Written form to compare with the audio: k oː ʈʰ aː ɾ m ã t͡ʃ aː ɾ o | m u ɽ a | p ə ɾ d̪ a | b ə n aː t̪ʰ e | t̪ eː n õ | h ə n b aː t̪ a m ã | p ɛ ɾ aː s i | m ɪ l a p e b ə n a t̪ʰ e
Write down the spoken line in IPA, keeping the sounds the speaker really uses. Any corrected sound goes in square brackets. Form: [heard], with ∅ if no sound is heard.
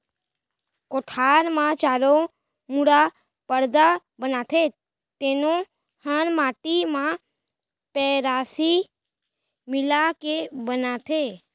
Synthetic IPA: k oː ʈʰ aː ɾ m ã t͡ʃ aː ɾ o | m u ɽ a | p ə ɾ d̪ a | b ə n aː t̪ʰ e | t̪ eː n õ | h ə n [m] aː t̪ [i] m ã | p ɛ ɾ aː s i | m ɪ l a [k] e b ə n a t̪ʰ e